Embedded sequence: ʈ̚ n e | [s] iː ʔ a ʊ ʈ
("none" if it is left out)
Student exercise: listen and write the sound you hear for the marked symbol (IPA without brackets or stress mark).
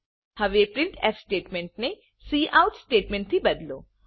s